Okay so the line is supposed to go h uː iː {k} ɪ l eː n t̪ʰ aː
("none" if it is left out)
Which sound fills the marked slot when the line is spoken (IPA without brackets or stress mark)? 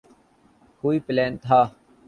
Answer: p